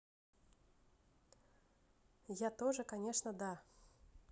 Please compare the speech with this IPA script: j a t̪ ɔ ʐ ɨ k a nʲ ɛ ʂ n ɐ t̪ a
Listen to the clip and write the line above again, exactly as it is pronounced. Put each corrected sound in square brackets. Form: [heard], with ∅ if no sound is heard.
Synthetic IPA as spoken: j a t̪ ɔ ʐ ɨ k a nʲ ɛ ʂ n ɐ [d̪] a